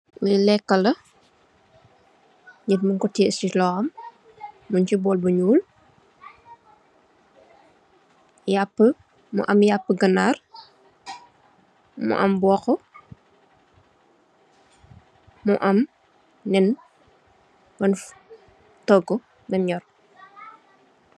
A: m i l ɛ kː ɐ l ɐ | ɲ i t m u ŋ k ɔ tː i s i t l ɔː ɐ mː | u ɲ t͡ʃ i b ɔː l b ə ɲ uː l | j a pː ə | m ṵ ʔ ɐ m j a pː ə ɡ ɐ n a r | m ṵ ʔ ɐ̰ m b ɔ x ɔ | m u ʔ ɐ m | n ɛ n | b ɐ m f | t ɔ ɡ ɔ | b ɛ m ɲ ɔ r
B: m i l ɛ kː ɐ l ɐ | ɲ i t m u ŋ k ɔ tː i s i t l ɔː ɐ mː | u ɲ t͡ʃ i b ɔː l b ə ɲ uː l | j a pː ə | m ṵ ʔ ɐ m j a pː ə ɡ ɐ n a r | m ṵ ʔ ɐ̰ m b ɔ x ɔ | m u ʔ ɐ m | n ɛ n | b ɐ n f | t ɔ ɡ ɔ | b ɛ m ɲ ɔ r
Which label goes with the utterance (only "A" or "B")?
B